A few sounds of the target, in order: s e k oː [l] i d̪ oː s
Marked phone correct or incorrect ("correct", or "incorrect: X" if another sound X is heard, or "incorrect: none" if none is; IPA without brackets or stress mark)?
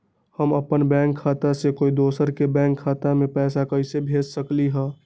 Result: incorrect: none